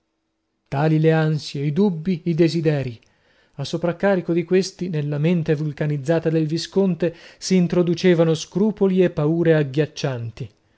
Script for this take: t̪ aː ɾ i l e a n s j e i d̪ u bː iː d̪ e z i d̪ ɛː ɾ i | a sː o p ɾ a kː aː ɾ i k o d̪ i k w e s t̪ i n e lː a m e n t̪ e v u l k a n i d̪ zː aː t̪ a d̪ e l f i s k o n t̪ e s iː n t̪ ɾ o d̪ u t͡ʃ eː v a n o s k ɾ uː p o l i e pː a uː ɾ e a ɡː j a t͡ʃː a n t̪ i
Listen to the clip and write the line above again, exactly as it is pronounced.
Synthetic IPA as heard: t̪ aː l i l e a n s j e i d̪ u bː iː d̪ e z i d̪ ɛː ɾ i | a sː o p ɾ a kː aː ɾ i k o d̪ i k w e s t̪ i n e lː a m e n t̪ e v u l k a n i d̪ zː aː t̪ a d̪ e l v i s k o n t̪ e s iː n t̪ ɾ o d̪ u t͡ʃ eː v a n o s k ɾ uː p o l i e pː a uː ɾ e a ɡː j a t͡ʃː a n t̪ i